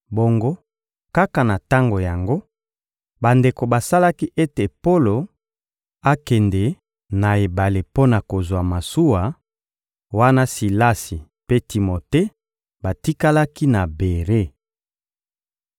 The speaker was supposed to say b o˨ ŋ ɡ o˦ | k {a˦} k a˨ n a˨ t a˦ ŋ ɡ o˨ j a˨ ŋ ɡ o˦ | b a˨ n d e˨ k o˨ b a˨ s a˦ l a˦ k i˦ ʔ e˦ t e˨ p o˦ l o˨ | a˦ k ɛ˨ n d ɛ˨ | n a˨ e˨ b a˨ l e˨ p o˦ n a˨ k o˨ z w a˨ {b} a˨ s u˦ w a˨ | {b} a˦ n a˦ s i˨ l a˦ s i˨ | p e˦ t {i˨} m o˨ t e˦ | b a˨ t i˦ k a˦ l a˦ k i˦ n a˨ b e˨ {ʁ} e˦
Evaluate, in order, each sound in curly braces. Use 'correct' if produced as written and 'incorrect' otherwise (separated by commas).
correct, incorrect, incorrect, correct, correct